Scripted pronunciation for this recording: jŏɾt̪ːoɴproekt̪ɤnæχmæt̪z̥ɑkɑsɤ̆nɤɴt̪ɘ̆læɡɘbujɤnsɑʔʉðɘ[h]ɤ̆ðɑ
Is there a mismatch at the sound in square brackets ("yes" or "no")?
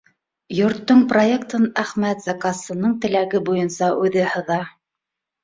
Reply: no